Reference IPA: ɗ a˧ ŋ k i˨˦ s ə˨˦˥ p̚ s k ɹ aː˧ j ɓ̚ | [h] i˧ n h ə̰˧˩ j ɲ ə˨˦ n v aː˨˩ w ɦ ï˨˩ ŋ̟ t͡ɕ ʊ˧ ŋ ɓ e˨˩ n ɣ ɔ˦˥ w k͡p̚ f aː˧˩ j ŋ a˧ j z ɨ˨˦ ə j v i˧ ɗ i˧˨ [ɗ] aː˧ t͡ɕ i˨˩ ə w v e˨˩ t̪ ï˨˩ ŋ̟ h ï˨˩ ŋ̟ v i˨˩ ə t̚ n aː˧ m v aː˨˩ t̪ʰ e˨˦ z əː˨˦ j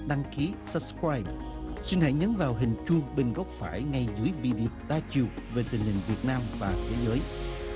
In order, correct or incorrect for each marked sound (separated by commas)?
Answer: incorrect, correct